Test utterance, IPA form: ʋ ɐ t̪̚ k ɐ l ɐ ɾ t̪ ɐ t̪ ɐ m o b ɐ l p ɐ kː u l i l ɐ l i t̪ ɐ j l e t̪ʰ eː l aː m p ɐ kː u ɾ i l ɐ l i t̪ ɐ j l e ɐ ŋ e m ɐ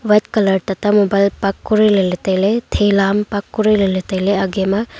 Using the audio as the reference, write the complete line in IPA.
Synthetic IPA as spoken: ʋ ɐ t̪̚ k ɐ l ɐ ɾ t̪ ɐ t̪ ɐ m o b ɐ l p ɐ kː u ɾ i l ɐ l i t̪ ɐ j l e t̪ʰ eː l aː m p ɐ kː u ɾ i l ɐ l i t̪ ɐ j l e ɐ ɡ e m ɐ